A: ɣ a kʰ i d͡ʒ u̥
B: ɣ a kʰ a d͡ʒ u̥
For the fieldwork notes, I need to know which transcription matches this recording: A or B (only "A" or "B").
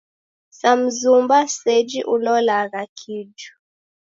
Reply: A